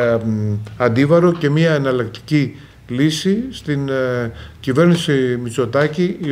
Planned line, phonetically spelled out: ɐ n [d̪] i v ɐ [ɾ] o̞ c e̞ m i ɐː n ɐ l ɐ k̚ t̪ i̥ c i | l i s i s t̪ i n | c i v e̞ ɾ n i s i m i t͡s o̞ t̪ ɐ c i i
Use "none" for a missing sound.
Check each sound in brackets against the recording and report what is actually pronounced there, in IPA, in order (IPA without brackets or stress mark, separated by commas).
d̪, ɾ